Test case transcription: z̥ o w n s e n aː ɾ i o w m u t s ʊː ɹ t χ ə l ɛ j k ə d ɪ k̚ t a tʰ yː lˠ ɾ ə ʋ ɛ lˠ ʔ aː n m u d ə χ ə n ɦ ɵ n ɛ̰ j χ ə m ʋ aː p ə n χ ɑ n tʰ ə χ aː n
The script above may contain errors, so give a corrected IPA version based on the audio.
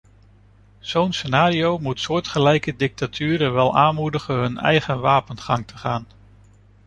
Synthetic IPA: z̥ o w n s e n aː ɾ i o w m u t s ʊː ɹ t χ ə l ɛ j k ə d ɪ k̚ t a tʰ yː ɾ ə ʋ ɛ lˠ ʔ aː n m u d ə χ ə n ɦ ɵ n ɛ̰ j χ ə n ʋ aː p ə n χ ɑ ŋ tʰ ə χ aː n